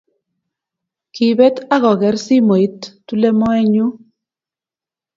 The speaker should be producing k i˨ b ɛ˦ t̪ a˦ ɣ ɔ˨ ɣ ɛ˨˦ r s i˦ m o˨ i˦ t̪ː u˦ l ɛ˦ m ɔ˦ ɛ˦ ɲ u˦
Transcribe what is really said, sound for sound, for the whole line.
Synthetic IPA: k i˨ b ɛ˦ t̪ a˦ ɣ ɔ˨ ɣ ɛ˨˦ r s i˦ m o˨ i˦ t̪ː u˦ l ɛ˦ m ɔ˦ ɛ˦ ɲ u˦